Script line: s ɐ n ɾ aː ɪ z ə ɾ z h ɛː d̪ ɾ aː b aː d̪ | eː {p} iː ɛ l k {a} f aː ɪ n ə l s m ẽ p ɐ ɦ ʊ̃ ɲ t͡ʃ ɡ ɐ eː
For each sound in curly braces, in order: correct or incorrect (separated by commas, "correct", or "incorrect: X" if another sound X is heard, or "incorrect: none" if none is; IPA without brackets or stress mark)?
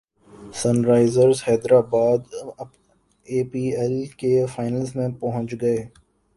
correct, incorrect: e